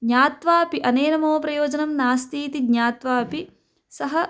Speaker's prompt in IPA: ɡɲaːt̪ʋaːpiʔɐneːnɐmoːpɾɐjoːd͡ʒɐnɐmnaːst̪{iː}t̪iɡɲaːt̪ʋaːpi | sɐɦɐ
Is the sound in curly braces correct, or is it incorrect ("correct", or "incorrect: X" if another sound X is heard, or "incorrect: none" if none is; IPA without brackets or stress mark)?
correct